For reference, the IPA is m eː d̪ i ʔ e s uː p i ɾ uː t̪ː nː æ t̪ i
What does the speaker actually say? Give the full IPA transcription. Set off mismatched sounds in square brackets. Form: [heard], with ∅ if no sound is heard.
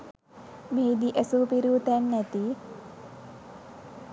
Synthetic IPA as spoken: m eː d̪ i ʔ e s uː p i ɾ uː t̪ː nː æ t̪ i